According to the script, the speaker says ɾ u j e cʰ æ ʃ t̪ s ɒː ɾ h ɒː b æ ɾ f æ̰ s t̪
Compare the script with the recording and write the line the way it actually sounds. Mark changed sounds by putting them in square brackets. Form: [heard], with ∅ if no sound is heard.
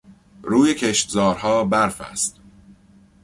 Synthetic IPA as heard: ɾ [uː] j e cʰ [e] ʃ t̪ [z] ɒː ɾ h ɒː b æ ɾ f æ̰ s t̪